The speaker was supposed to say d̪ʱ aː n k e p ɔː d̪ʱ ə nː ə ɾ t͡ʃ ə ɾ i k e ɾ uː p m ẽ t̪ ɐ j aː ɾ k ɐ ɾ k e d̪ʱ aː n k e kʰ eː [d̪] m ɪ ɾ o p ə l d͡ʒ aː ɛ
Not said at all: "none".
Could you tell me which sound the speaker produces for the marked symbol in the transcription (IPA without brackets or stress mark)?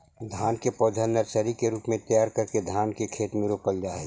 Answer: t̪